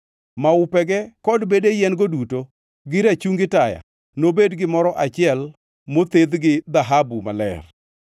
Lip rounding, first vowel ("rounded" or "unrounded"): unrounded